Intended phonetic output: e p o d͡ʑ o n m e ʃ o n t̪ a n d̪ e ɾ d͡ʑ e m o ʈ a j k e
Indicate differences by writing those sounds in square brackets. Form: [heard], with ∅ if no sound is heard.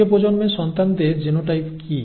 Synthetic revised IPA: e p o d͡ʑ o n m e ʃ [ɔ] n t̪ a n d̪ e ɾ d͡ʑ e [n] o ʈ a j k [i]

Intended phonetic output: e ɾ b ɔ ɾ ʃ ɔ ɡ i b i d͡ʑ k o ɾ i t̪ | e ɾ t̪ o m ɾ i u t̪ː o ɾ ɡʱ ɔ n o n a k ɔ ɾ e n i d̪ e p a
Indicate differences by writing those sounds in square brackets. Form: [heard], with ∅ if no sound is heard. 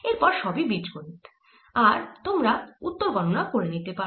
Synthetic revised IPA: e ɾ [p] ɔ ɾ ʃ ɔ [b] i b i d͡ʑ k o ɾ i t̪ | [a] ɾ t̪ o m ɾ [a] u t̪ː o ɾ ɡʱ ɔ n o n a k [o] ɾ e n i [t̪] e p a

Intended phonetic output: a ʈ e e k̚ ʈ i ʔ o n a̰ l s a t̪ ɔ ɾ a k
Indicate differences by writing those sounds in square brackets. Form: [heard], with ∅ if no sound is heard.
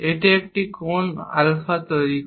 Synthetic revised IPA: [e] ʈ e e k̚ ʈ i [k] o n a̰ l [f] a t̪ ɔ ɾ [i] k

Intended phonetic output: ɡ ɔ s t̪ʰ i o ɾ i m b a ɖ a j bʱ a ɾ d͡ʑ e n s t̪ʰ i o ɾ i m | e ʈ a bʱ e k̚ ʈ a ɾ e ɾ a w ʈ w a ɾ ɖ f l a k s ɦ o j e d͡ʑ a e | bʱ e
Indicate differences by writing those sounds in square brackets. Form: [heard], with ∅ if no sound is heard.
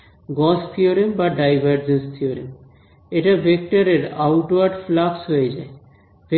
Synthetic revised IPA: ɡ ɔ s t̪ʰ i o ɾ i m b a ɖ a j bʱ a ɾ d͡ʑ e n s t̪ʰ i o ɾ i m | e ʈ a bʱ e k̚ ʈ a ɾ e ɾ a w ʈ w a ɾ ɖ f l a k s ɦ o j e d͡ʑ a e | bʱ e

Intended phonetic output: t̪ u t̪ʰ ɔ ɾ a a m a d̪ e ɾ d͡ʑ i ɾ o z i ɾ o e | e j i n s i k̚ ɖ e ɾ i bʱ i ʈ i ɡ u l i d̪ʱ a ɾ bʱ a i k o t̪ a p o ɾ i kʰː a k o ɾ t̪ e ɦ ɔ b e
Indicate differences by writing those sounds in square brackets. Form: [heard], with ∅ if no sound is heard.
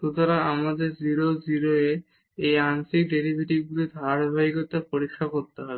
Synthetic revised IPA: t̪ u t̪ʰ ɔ ɾ a a m a d̪ e ɾ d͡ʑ i ɾ o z i ɾ o e | e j [a] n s i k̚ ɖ e ɾ i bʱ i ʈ i ɡ u l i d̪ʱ a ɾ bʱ a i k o t̪ a p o ɾ i kʰː a k o ɾ t̪ e ɦ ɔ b e

